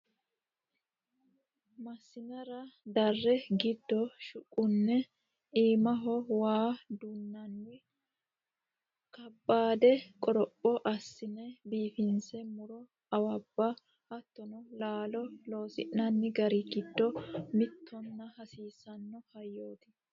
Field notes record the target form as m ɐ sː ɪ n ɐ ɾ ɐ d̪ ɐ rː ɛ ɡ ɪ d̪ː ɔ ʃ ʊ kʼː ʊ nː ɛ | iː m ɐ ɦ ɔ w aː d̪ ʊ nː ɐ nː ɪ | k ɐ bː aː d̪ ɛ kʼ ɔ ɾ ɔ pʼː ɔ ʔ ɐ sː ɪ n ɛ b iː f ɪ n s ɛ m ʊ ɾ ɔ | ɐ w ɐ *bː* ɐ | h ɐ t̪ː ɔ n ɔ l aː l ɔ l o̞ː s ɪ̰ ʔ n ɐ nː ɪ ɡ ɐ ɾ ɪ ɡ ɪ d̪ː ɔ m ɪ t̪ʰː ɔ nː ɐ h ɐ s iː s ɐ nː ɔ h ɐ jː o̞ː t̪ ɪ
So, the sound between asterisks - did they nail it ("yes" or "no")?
yes